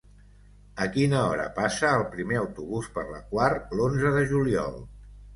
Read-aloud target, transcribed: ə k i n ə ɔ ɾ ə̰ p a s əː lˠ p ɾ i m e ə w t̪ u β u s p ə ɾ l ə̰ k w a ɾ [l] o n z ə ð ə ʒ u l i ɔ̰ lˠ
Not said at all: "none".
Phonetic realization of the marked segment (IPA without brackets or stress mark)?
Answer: l